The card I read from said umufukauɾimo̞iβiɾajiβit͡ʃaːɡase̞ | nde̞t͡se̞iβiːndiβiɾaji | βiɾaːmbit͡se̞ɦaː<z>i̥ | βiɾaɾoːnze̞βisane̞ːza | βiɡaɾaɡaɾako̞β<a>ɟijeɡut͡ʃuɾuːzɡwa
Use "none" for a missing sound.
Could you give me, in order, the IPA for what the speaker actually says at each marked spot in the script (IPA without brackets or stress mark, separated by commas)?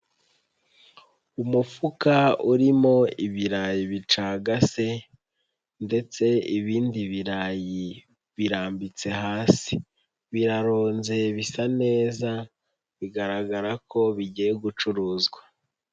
s, i